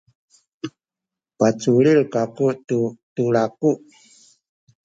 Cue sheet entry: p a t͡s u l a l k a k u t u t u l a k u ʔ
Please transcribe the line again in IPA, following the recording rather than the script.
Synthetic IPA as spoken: p a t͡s u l i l k a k u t u t u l a k u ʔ